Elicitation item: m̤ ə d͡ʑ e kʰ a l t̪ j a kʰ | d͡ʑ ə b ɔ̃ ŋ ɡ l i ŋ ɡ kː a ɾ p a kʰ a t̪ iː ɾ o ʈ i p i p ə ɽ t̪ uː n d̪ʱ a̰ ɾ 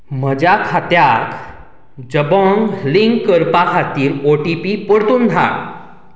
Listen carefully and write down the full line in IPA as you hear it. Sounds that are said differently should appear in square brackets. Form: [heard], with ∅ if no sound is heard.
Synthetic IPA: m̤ ə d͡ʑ [a] kʰ a [∅] t̪ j a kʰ | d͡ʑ ə b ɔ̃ ŋ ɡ l i ŋ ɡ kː [ə] ɾ p a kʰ a t̪ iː ɾ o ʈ i p i p ə ɽ t̪ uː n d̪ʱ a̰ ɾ